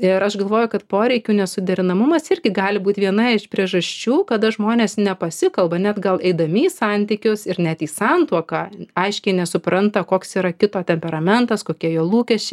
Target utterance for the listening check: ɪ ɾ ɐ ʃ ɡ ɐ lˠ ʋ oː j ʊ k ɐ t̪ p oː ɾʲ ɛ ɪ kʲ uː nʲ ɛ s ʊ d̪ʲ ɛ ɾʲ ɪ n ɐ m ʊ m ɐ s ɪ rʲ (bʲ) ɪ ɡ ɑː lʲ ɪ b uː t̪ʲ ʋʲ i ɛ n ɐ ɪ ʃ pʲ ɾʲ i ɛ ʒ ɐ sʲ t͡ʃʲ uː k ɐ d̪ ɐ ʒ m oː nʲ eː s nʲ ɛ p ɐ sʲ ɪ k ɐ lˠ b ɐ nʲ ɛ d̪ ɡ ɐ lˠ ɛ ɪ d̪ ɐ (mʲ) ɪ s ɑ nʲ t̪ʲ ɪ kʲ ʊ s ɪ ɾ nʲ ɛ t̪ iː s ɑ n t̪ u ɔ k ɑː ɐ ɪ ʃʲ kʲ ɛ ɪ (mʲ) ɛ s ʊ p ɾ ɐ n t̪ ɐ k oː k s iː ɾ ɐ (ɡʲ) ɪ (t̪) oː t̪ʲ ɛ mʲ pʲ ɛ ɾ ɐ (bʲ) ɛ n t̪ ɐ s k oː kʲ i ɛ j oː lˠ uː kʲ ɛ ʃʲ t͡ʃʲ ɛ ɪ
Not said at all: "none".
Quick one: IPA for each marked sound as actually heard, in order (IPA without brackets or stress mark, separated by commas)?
ɡʲ, mʲ, nʲ, kʲ, t̪, mʲ